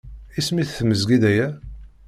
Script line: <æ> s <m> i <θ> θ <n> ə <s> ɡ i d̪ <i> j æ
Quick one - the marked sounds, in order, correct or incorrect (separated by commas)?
incorrect, correct, correct, incorrect, incorrect, incorrect